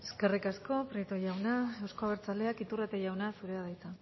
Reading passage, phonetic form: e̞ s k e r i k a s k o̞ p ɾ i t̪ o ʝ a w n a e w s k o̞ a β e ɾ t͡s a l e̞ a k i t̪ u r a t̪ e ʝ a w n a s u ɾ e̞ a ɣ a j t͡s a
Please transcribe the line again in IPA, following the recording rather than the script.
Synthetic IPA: e̞ s k e r i k a s k o̞ p ɾ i t̪ o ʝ a w n a e w s k o̞ a β e ɾ t͡s a l e̞ a k i t̪ u r a t̪ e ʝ a w n a s u ɾ e̞ a ð a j t͡s a